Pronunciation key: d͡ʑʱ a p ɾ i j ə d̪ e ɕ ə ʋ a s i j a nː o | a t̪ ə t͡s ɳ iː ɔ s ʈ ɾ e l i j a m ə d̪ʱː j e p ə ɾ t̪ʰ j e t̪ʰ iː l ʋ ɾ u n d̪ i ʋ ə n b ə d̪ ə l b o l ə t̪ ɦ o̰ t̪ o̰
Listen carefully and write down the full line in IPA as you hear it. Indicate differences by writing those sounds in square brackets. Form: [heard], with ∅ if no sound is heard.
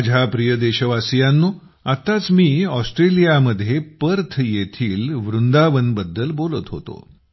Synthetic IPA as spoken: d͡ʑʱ a p ɾ i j ə d̪ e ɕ ə ʋ a s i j a nː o | a t̪ [a] t͡s [m] iː ɔ s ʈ ɾ e l i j a m ə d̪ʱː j e p ə ɾ t̪ʰ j e t̪ʰ iː l ʋ ɾ u n d̪ [a] ʋ ə n b ə [d̪ː] ə l b o l ə t̪ ɦ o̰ t̪ o̰